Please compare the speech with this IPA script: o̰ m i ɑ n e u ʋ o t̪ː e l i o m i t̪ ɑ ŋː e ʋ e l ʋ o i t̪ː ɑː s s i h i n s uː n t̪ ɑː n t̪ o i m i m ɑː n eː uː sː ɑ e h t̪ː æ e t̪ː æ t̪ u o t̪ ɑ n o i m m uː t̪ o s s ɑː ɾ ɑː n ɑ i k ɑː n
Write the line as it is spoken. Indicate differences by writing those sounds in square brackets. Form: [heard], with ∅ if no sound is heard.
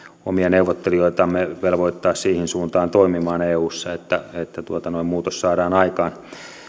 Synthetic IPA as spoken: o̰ m i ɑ n e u ʋ o t̪ː e l i o [∅] i t̪ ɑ [mː] e ʋ e l ʋ o i t̪ː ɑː s s [iː] h i n s uː n t̪ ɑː n t̪ o i m i m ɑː n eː uː sː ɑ e [∅] t̪ː æ e t̪ː æ t̪ u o t̪ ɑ n o i m m uː t̪ o s s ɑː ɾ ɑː n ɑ i k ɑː n